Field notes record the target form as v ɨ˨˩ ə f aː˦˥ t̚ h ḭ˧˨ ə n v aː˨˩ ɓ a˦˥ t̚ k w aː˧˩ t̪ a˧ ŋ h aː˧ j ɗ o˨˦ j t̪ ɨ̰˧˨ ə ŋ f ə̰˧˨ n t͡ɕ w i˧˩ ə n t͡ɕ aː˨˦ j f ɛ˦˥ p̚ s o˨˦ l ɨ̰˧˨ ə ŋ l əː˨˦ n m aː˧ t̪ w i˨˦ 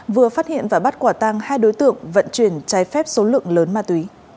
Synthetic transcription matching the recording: v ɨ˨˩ ə f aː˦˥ t̚ h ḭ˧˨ ə n v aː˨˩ ɓ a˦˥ t̚ k w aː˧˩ t̪ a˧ ŋ h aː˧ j ɗ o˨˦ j t̪ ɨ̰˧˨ ə ŋ v ə̰˧˨ n t͡ɕ w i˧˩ ə n t͡ɕ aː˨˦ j f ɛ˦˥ p̚ s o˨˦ l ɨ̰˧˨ ə ŋ l əː˨˦ n m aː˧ t̪ w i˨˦